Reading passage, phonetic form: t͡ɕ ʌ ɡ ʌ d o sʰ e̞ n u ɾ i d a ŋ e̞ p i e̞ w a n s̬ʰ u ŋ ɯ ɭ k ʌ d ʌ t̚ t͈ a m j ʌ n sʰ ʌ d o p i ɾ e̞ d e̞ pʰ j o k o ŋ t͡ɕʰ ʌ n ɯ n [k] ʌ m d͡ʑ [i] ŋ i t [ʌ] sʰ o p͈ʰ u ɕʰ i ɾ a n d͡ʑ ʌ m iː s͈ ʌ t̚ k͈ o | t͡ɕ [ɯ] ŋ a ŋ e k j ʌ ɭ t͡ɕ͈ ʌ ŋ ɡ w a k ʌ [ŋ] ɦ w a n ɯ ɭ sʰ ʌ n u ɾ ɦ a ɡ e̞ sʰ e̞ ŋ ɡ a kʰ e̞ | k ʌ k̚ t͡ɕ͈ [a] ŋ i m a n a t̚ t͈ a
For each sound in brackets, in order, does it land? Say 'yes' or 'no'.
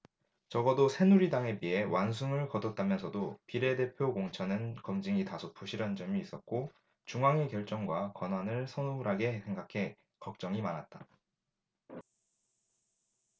yes, yes, no, no, no, no

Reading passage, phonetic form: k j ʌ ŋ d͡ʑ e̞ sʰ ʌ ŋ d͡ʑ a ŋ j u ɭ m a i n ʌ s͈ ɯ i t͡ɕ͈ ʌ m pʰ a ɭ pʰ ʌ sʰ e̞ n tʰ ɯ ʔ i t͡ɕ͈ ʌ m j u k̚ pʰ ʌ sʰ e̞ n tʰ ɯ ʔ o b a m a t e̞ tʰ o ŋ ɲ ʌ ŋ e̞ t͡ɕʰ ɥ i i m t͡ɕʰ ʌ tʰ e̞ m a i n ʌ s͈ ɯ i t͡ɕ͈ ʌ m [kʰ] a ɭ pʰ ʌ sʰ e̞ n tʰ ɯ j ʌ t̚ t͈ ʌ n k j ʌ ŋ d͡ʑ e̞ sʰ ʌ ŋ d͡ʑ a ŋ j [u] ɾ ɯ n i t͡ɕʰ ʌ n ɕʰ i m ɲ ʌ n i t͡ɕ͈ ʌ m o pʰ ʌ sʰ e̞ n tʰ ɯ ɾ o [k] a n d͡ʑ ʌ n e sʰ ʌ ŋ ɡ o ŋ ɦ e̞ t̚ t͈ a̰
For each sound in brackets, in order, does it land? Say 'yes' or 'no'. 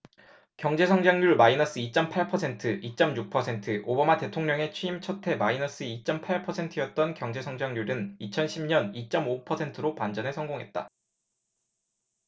no, yes, no

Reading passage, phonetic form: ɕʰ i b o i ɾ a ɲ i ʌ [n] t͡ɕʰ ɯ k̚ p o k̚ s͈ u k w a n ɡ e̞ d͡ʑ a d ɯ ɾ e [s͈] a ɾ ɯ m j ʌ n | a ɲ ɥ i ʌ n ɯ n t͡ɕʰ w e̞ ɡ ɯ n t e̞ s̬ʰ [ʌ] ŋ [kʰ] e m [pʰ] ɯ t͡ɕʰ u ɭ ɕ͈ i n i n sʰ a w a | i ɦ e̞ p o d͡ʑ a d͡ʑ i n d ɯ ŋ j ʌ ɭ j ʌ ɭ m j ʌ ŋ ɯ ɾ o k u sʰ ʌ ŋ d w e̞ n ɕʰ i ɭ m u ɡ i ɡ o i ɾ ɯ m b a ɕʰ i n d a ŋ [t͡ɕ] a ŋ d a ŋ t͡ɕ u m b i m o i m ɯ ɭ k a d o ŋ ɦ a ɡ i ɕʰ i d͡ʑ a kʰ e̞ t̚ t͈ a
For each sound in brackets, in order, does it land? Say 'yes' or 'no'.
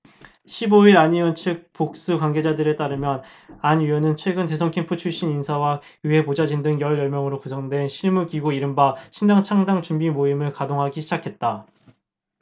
yes, no, yes, yes, yes, no

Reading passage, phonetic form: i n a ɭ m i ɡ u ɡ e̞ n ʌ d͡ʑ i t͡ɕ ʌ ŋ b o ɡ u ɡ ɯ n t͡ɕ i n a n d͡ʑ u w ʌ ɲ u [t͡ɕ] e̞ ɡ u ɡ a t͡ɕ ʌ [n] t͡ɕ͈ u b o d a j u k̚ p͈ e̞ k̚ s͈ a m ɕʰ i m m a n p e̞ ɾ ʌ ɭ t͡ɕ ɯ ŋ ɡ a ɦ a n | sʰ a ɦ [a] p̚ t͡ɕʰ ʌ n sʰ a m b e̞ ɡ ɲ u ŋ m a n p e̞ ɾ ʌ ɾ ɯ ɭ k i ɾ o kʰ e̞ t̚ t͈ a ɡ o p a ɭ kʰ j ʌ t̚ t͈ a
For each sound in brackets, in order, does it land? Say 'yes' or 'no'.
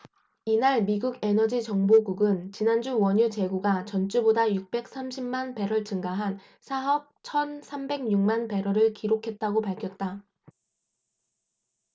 yes, yes, no

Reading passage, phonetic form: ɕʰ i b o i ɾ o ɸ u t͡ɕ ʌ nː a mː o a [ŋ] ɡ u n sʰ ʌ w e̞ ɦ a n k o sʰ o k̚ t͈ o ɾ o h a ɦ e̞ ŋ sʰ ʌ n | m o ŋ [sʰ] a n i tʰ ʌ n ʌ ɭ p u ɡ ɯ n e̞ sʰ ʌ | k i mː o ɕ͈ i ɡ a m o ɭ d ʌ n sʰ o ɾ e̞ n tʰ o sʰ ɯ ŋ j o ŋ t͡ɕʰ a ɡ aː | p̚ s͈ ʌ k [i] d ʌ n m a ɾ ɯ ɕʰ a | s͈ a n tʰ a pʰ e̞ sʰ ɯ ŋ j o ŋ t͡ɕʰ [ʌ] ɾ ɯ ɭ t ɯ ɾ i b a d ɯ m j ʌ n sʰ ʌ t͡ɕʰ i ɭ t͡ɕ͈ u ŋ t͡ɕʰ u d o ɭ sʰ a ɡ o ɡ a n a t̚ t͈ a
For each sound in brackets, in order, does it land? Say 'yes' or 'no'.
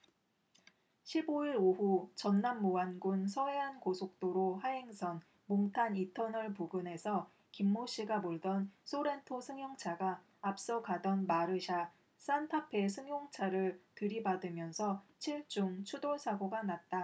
no, no, no, no

